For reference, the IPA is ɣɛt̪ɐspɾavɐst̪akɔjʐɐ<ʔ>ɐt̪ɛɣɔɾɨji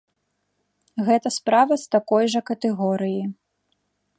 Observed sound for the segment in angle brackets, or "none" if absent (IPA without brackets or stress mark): k